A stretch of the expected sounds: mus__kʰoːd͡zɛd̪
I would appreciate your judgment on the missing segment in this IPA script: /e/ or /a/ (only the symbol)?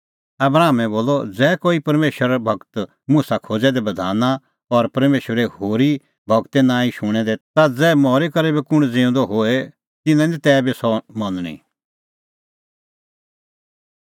a